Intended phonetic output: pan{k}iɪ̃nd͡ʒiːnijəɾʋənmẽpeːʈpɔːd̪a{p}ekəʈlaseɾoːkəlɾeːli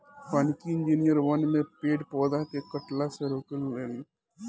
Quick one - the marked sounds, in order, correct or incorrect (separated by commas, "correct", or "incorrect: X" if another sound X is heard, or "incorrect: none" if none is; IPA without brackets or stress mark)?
correct, incorrect: k